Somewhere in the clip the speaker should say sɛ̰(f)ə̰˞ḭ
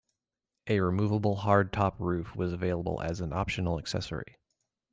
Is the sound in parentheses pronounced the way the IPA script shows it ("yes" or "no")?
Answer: no